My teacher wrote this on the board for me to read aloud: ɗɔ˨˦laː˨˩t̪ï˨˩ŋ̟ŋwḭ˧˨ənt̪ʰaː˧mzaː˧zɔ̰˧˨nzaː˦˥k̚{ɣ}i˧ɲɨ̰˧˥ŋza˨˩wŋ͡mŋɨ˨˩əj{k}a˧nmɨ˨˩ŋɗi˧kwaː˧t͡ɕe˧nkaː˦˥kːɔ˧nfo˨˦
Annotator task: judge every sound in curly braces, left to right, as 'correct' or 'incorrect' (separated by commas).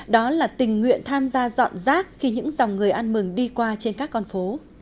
incorrect, incorrect